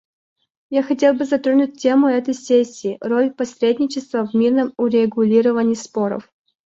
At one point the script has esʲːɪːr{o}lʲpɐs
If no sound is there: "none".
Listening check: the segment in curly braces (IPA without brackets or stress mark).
o